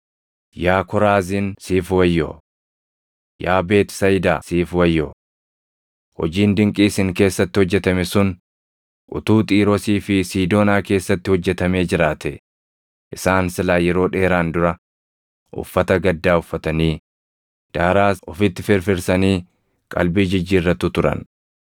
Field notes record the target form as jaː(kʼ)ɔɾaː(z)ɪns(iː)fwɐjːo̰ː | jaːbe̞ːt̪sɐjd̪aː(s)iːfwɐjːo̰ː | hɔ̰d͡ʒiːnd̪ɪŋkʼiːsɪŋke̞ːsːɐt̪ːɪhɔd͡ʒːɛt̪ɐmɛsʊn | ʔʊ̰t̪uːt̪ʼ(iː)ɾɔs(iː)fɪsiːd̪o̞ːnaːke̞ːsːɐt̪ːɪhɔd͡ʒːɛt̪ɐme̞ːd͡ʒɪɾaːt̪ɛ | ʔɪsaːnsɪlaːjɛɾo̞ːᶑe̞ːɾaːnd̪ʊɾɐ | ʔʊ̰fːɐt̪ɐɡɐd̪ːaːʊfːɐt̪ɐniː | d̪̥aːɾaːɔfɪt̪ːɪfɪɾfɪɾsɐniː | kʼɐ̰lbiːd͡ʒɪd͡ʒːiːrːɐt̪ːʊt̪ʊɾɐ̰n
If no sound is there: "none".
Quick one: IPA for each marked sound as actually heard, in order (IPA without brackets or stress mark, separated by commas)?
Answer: k, z, iː, s, iː, iː